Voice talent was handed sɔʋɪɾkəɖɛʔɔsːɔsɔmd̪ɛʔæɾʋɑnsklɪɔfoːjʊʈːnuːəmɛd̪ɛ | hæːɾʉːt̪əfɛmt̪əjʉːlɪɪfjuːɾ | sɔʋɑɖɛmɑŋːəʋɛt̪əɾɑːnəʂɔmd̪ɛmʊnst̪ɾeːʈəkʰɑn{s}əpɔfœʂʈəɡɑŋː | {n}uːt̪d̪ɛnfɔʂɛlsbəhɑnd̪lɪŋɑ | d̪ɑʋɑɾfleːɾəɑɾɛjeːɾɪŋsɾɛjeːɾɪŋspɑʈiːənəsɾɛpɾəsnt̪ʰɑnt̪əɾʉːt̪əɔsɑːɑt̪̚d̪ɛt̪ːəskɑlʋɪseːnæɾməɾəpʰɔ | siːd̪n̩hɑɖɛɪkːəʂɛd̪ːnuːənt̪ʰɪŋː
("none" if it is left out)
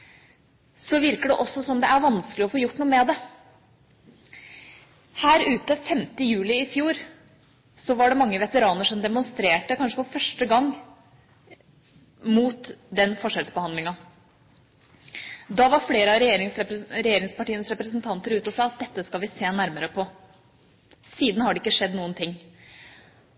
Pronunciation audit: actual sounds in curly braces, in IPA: ʂ, m

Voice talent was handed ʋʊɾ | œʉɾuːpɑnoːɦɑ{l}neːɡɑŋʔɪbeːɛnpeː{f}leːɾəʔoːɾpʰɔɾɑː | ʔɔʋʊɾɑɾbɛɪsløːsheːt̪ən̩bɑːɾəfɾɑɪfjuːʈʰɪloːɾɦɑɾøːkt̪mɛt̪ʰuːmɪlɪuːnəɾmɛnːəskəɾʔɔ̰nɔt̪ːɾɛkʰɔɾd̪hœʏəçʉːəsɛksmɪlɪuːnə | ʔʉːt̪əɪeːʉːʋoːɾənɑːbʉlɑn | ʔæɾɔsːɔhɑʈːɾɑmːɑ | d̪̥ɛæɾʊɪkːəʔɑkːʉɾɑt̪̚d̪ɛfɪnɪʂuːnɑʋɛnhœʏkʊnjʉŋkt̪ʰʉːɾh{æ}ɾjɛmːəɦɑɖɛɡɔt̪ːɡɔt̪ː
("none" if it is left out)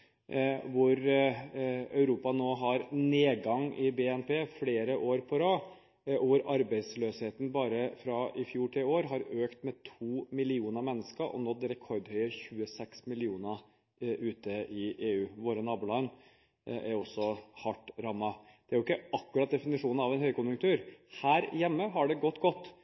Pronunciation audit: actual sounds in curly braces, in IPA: ɾ, f, æː

